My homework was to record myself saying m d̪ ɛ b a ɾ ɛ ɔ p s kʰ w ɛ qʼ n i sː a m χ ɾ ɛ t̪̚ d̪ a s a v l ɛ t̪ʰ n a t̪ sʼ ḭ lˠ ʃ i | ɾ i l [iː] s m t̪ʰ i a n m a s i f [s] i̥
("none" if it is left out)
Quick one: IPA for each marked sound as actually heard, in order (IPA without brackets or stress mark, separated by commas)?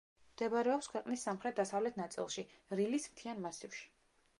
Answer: i, ʃ